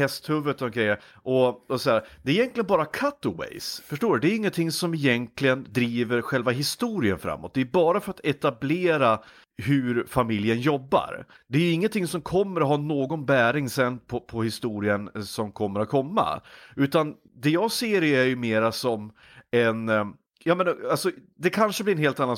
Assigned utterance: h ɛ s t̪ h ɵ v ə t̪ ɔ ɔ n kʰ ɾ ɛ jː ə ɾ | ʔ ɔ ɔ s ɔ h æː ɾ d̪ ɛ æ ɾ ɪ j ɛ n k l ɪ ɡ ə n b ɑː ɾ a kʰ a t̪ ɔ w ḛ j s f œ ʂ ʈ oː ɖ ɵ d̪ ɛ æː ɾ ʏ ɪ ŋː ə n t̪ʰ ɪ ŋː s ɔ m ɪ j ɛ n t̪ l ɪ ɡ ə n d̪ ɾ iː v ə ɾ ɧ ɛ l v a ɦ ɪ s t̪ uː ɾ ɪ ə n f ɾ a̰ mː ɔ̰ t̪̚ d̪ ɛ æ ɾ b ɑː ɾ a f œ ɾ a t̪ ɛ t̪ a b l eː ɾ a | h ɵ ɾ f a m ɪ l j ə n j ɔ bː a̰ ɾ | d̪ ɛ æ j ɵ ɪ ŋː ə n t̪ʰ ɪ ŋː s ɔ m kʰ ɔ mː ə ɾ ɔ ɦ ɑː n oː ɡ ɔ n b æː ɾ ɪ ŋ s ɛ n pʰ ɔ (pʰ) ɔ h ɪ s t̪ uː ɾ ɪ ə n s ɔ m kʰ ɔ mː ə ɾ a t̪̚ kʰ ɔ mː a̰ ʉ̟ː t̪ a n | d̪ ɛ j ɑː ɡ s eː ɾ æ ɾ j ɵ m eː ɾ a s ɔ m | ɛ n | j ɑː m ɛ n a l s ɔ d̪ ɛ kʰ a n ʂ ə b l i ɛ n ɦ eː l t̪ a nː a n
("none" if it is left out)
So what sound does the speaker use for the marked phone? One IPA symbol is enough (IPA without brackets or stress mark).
pʰ